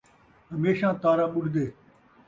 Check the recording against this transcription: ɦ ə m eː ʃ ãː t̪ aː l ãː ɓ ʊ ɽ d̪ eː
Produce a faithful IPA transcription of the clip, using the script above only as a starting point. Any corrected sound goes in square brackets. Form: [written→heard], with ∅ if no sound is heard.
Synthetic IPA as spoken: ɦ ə m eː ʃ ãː t̪ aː [l→ɾ] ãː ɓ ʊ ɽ d̪ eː